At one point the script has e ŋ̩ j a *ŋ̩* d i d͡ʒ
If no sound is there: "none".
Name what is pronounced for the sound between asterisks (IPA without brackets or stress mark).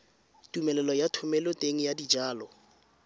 none